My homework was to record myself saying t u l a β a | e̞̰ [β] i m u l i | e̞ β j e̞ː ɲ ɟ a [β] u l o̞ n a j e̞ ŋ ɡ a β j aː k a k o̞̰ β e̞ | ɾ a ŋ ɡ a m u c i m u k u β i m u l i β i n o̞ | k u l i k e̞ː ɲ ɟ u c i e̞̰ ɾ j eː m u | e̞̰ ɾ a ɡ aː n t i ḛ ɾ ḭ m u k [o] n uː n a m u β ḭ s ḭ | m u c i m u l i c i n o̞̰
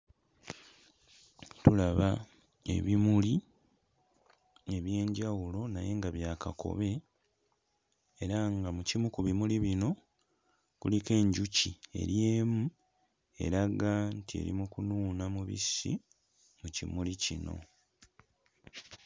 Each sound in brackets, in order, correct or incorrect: correct, incorrect: w, incorrect: u

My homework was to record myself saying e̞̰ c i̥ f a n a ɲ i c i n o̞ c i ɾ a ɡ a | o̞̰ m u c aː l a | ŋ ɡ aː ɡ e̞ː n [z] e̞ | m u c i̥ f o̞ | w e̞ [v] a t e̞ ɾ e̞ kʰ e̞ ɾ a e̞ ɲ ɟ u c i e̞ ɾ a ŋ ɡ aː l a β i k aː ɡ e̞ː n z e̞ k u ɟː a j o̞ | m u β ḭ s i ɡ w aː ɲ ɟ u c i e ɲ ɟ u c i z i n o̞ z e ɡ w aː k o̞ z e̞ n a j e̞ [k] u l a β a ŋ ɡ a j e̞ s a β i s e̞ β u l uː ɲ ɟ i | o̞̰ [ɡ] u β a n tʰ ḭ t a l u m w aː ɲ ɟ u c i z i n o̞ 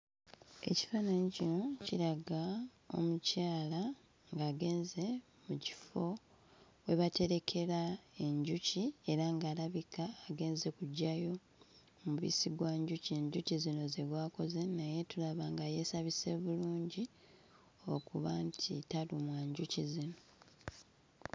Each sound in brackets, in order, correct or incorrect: correct, incorrect: β, incorrect: t, incorrect: k

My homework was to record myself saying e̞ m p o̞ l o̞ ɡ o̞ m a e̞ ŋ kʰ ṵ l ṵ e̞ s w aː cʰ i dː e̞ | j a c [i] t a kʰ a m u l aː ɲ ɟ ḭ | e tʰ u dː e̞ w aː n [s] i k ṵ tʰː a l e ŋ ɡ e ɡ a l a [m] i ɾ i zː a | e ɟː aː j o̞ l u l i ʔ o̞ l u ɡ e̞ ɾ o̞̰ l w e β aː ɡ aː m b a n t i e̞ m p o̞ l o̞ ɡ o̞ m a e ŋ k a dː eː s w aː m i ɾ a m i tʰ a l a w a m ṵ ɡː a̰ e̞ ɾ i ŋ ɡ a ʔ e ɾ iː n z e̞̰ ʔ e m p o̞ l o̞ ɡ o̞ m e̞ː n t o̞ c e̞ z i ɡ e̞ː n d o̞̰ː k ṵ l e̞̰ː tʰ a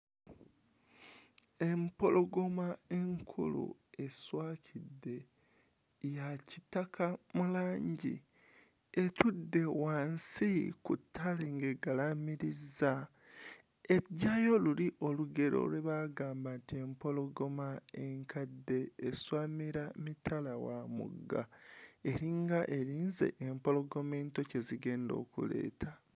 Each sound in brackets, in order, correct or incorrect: correct, correct, correct

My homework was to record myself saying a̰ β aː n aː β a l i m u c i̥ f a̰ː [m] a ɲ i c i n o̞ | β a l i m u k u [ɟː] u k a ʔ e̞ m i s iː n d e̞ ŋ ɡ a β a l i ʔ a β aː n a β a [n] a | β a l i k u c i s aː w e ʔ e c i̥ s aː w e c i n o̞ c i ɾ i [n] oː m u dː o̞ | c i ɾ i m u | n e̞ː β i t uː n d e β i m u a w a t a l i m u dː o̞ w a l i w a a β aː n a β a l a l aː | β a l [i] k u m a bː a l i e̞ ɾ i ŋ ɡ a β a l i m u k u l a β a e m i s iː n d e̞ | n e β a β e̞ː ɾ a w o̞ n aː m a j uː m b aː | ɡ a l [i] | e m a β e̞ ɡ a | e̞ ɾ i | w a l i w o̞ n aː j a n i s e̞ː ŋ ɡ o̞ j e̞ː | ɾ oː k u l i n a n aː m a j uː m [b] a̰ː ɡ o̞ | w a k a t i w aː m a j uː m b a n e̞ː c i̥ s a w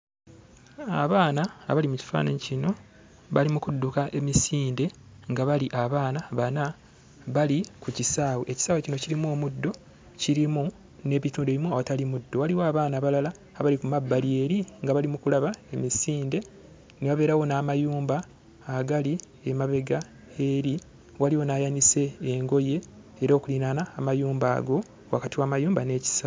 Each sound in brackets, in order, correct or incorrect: incorrect: n, incorrect: dː, correct, incorrect: m, correct, correct, correct

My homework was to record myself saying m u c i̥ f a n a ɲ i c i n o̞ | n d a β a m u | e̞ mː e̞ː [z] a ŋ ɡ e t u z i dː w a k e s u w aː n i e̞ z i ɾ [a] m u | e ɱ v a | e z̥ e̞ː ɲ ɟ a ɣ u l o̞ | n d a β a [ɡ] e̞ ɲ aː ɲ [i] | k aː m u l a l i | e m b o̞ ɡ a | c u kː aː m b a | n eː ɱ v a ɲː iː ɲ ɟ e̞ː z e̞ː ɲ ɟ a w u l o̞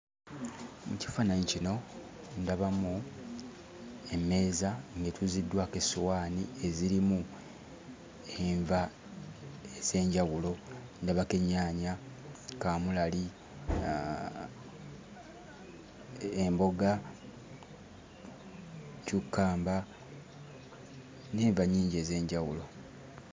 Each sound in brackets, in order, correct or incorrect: correct, incorrect: i, incorrect: k, incorrect: a

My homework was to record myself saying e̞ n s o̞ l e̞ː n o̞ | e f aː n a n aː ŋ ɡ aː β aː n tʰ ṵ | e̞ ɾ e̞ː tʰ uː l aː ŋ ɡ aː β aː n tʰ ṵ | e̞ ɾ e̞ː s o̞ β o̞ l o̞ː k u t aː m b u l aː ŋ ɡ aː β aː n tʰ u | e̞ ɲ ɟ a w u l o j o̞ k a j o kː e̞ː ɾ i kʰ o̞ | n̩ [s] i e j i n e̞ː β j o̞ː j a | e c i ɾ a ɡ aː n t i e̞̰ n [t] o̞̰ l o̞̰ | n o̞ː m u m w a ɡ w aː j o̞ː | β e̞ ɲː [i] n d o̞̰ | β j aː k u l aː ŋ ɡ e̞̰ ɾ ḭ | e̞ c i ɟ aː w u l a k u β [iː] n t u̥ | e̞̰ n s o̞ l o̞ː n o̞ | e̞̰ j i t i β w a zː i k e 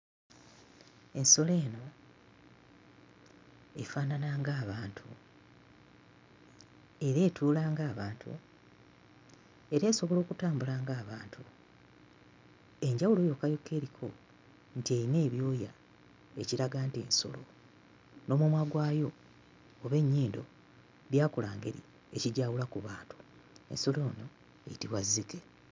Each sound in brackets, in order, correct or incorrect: incorrect: t, incorrect: s, incorrect: iː, incorrect: aː

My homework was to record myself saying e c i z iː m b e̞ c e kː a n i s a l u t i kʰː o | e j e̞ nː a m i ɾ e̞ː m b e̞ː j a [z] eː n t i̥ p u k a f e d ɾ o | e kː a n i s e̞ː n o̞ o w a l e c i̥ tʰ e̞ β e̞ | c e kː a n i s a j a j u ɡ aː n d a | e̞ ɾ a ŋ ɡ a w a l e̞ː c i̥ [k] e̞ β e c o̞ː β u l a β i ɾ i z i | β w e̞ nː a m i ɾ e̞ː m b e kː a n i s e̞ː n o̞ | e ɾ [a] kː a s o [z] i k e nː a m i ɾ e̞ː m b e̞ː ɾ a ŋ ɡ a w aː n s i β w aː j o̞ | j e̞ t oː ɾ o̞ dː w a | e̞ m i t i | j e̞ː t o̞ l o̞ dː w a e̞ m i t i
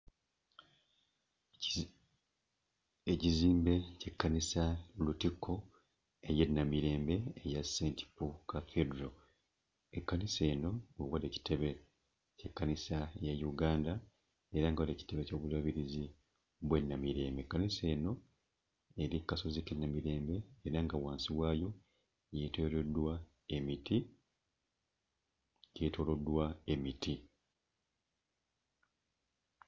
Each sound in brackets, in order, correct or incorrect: incorrect: s, incorrect: t, incorrect: i, correct

